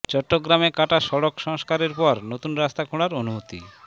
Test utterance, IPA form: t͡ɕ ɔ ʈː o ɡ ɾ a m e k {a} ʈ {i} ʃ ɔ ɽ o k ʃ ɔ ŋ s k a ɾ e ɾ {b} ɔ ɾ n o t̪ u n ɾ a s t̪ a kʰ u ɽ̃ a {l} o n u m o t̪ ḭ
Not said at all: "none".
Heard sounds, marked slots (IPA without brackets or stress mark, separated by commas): a, a, p, ɾ